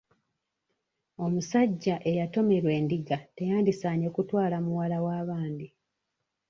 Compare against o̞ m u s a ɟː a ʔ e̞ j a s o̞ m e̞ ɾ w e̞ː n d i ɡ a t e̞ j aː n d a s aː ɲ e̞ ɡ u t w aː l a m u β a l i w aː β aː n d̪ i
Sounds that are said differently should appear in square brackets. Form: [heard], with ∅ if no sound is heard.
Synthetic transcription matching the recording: o̞ m u s a ɟː a ʔ e̞ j a [t] o̞ m e̞ ɾ w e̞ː n d i ɡ a t e̞ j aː n d [i] s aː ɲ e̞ [k] u t w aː l a m u [w] a l [a] w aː β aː n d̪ i